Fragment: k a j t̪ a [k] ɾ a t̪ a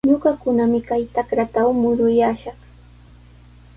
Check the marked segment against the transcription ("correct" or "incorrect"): correct